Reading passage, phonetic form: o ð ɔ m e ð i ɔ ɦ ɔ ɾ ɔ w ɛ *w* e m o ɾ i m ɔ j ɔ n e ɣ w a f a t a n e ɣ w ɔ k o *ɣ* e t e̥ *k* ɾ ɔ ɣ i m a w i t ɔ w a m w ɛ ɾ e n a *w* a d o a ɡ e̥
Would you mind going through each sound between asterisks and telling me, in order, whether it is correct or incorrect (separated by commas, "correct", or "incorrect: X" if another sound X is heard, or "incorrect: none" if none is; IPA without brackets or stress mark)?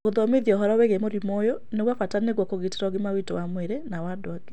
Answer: incorrect: ɣ, correct, incorrect: none, correct